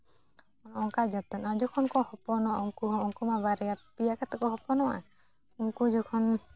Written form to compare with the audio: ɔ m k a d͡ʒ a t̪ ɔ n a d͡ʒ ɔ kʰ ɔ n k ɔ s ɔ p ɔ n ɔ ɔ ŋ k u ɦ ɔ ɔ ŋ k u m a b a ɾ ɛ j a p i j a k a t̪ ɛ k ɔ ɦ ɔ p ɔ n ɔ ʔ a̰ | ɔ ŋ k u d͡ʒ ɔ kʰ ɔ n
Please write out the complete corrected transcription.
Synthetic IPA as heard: ɔ ŋ k a d͡ʒ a t̪ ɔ n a d͡ʒ ɔ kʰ ɔ n k ɔ h ɔ p ɔ n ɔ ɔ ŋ k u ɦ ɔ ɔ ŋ k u m a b a ɾ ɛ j a p i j a k a t̪ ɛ k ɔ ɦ ɔ p ɔ n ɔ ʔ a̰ | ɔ ŋ k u d͡ʒ ɔ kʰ ɔ n